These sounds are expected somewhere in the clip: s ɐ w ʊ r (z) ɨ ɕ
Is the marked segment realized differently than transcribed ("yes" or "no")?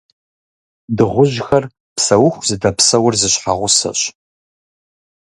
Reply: no